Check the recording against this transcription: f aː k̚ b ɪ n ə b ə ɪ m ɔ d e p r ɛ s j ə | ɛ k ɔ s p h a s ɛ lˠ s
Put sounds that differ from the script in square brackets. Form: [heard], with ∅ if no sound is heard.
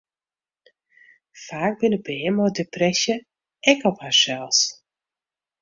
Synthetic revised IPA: f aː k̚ b ɪ n ə b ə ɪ m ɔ d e p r ɛ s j ə | ɛ k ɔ [∅] p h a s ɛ lˠ s